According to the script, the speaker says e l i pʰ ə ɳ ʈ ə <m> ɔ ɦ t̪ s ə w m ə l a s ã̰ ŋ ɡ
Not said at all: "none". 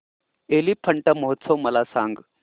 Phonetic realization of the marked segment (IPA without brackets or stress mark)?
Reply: m